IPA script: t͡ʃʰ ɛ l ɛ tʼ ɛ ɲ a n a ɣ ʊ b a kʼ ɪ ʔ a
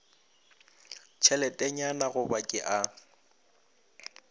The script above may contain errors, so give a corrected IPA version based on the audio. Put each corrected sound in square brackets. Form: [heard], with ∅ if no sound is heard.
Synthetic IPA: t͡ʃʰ ɛ l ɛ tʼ ɛ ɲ a n a ɣ ʊ b a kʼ ɪ ʔ a